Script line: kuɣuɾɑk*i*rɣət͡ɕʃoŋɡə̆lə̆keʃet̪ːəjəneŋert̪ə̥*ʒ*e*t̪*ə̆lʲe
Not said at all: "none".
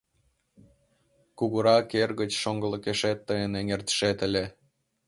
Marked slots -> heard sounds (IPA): e, ʃ, t̪

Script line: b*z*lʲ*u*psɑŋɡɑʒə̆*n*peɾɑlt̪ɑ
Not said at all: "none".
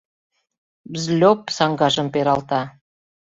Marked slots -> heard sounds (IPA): z, o, m

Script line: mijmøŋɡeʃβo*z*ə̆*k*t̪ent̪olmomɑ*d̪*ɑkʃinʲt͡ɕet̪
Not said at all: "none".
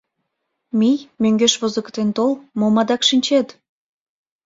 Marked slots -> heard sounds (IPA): z, k, d̪

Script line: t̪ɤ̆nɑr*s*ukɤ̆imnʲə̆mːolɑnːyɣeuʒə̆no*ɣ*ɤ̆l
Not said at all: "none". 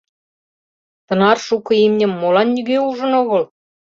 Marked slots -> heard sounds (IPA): ʃ, ɣ

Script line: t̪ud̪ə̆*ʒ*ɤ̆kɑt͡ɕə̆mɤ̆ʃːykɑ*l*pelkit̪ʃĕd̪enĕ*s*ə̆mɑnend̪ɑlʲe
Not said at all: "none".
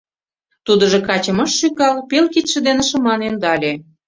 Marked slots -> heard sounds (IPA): ʒ, l, ʃ

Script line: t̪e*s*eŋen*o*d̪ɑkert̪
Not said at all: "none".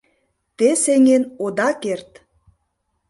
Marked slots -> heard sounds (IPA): s, o

